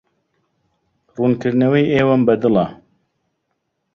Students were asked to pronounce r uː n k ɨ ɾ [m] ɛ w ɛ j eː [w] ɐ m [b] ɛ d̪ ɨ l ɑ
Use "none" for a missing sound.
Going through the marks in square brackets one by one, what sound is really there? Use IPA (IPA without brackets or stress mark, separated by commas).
n, w, b